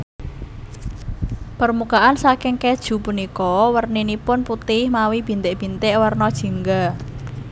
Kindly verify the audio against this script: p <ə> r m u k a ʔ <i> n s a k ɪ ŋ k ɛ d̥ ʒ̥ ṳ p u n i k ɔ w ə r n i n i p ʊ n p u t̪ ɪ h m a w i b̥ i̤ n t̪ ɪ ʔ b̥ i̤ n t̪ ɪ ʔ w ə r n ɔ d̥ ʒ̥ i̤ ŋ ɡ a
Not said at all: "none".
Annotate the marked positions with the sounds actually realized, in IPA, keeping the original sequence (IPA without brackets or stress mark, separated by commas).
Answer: ə, a